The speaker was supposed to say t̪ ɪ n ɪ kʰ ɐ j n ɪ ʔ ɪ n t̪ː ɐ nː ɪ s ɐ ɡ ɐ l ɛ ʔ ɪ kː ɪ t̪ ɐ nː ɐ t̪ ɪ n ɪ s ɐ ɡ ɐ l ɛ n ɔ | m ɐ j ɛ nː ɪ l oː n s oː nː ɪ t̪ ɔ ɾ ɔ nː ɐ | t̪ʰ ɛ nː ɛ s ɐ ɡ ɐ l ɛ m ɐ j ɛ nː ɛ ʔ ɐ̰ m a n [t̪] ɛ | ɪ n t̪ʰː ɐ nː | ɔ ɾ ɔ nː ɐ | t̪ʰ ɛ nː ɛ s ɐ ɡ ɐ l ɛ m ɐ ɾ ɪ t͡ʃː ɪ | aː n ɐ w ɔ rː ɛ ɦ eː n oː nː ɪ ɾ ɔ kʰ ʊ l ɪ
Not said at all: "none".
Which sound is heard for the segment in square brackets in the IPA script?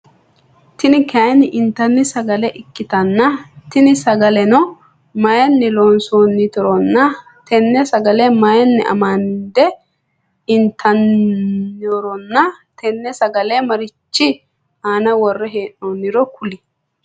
d̪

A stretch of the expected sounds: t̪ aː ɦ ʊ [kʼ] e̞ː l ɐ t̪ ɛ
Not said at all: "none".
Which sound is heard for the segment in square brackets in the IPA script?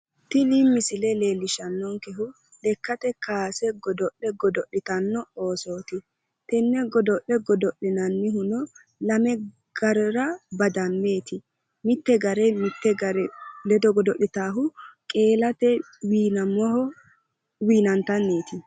kʼ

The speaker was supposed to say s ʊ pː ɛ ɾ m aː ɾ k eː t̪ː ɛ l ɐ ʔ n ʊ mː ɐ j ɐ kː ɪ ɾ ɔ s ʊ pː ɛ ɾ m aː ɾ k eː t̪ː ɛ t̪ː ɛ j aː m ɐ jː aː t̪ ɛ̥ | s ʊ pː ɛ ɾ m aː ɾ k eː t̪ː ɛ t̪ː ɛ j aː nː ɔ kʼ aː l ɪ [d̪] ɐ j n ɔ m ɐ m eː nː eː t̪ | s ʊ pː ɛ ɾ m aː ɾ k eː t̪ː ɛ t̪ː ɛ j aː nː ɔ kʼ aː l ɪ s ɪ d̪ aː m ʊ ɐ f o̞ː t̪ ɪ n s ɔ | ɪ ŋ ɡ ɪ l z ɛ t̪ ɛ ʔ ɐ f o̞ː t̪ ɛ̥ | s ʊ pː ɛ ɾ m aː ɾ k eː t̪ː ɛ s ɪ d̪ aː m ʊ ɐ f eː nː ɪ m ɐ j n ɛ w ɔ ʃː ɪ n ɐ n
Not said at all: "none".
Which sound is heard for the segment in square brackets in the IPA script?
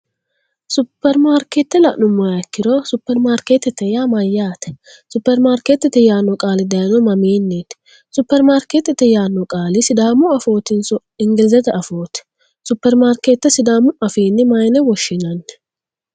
d̪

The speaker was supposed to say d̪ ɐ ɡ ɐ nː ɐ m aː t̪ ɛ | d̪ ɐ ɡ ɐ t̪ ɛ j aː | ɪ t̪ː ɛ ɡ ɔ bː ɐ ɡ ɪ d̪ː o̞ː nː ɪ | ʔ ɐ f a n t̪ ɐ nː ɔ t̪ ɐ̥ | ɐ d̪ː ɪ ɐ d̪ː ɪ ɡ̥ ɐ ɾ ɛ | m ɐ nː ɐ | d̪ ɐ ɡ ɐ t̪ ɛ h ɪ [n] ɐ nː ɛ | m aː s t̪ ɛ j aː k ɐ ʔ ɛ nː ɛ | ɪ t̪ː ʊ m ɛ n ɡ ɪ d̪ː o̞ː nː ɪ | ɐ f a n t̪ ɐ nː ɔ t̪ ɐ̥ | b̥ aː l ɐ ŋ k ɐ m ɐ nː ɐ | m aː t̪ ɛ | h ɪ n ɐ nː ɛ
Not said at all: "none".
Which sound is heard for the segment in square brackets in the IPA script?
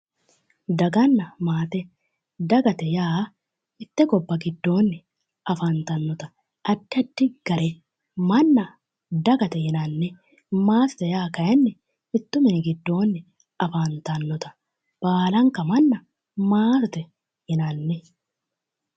n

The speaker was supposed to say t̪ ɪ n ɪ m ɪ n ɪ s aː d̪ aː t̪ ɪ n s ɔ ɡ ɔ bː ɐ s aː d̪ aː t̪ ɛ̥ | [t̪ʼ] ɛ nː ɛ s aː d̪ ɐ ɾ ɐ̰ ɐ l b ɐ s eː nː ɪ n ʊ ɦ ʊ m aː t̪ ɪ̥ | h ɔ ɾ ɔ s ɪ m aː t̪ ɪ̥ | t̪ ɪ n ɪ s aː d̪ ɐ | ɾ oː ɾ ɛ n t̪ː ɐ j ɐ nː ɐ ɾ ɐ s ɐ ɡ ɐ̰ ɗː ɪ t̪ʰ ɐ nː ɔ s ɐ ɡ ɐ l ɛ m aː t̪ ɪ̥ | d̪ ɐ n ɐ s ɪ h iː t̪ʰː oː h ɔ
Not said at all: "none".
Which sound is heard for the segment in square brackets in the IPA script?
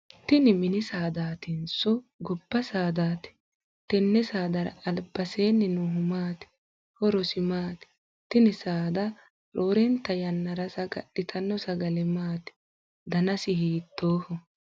t̪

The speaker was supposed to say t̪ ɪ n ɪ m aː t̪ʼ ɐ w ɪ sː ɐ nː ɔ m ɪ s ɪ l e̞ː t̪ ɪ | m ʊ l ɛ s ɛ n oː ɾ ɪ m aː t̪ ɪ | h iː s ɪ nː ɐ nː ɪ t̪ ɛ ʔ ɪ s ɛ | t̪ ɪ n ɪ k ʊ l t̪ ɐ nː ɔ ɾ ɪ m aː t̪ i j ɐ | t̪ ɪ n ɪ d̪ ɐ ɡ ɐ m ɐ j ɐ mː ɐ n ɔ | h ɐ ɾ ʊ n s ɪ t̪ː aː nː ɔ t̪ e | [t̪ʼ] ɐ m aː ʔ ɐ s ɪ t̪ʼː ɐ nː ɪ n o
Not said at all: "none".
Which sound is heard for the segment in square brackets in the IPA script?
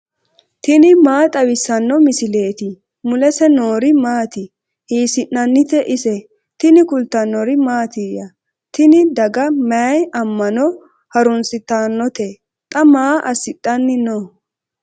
t̪ʼ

